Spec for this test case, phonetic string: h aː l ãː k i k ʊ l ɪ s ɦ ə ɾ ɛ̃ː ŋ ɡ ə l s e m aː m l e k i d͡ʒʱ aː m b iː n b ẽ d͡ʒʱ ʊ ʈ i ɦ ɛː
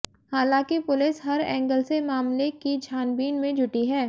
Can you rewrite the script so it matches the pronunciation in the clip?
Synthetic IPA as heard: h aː l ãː k i p ʊ l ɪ s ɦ ɐ ɾ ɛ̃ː ŋ ɡ ə l s e m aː m l e k i d͡ʒʱ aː n b iː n m ẽ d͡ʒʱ ʊ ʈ i ɦ ɛː